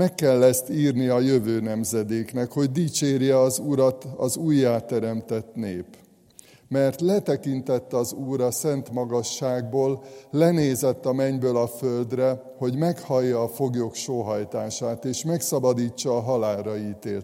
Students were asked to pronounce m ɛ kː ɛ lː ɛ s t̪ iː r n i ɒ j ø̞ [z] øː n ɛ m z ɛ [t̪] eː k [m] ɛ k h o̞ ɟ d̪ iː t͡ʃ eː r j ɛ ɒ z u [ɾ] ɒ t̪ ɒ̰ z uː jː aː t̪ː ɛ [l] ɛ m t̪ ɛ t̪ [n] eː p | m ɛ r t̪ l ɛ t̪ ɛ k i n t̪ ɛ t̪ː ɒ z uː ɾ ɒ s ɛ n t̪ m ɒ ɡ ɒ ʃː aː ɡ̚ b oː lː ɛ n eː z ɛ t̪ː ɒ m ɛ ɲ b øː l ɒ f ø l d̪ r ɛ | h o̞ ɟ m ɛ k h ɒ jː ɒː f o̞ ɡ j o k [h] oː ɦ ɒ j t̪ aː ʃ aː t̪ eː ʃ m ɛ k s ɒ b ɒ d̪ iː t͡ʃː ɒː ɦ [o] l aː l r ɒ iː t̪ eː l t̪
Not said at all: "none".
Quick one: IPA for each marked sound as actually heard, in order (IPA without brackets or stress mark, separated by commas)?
v, d̪, n, ɾ, ɾ, n, ʃ, ɒ